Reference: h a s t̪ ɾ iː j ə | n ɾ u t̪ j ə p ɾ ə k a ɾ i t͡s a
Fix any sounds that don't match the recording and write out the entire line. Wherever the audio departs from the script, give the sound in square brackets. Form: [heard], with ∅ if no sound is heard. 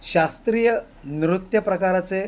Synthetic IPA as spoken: [ɕ] a s t̪ ɾ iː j ə | n ɾ u t̪ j ə p ɾ ə k a ɾ [a] t͡s [e]